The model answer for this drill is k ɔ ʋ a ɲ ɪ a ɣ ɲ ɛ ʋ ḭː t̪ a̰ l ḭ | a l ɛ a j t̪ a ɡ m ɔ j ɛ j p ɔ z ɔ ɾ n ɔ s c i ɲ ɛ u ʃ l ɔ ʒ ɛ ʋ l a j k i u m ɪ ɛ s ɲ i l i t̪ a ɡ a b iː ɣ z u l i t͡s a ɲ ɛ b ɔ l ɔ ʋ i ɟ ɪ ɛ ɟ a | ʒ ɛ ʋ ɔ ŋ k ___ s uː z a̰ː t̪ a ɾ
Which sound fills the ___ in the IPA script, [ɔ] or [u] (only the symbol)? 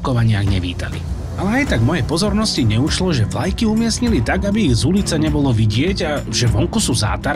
u